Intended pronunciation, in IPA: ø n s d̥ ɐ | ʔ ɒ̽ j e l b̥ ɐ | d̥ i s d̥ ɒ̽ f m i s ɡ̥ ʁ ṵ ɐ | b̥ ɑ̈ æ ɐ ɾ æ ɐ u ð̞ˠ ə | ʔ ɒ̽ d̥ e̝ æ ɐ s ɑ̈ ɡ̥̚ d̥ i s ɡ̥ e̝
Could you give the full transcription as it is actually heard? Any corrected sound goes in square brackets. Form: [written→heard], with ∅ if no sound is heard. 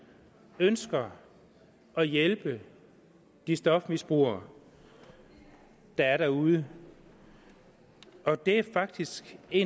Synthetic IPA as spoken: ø n s [d̥→ɡ̥] ɐ | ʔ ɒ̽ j e l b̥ [ɐ→ə] | d̥ i s d̥ ɒ̽ f m i s [ɡ̥→b̥] ʁ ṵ ɐ | [b̥→d̥] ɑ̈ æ ɐ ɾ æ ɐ u ð̞ˠ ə | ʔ ɒ̽ d̥ e̝ æ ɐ [s→f] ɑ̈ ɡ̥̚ d̥ i s ɡ̥ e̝